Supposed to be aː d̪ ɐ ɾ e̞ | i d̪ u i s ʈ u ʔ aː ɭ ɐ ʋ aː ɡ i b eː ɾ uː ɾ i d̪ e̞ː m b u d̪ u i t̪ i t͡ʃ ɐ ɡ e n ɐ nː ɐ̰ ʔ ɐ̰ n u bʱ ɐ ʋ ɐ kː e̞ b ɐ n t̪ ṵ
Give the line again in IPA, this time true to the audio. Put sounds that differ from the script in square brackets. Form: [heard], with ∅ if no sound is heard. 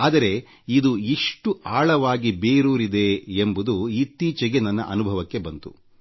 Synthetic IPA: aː d̪ ɐ ɾ e̞ | i d̪ u i [ʂ] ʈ u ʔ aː ɭ ɐ ʋ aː ɡ i b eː ɾ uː ɾ i d̪ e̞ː m b u d̪ u i t̪ [iː] t͡ʃ ɐ ɡ e n ɐ nː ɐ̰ ʔ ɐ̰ n u bʱ ɐ ʋ ɐ kː e̞ b ɐ n t̪ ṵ

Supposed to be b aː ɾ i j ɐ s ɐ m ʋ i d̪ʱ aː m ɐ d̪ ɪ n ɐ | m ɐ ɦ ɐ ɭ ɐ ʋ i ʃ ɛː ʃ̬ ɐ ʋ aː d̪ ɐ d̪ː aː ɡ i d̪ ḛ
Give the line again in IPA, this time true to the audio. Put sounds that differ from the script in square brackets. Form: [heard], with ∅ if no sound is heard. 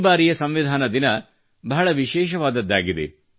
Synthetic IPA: b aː ɾ i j ɐ s ɐ m ʋ i d̪ʱ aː [n] ɐ d̪ [i] n ɐ | [b] ɐ ɦ ɐ ɭ ɐ ʋ i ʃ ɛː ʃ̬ ɐ ʋ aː d̪ ɐ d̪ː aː ɡ i d̪ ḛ

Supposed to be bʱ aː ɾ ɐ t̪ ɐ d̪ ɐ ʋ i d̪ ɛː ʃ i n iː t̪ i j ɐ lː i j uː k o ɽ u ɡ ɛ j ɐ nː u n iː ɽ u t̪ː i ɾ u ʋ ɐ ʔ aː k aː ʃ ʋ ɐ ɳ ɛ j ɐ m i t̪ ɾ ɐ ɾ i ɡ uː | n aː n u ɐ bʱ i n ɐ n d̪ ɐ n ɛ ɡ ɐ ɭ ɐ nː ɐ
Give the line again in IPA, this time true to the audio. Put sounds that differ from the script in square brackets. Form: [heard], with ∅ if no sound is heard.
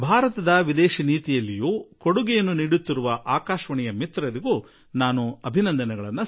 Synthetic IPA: bʱ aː ɾ ɐ t̪ ɐ d̪ ɐ ʋ i d̪ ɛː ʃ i n iː t̪ i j ɐ lː i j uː k o ɽ u ɡ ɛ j ɐ nː u n iː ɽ u t̪ː i ɾ u ʋ ɐ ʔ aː k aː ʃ ʋ ɐ ɳ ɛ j ɐ m i t̪ ɾ ɐ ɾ i ɡ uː | n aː n u ɐ bʱ i n ɐ n d̪ ɐ n ɛ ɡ ɐ ɭ ɐ nː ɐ

